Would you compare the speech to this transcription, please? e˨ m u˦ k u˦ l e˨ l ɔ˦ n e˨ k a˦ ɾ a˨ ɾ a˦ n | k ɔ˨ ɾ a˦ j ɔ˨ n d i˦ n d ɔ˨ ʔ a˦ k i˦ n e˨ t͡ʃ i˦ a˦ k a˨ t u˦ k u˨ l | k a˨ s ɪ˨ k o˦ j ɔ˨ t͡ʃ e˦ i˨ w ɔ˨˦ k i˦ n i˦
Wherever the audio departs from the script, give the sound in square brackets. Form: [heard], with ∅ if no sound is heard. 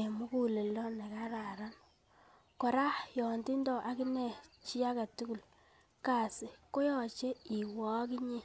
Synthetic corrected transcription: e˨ m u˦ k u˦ l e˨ l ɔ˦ n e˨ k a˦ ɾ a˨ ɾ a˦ n | k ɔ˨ ɾ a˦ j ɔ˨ n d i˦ n d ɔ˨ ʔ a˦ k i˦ n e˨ t͡ʃ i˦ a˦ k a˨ t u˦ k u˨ l | k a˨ s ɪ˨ k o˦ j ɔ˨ t͡ʃ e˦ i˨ w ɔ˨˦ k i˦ [ɲ] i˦